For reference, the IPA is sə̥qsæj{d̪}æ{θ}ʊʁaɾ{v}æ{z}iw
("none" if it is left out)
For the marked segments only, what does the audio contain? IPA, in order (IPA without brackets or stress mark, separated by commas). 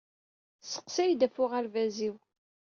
d̪, f, v, z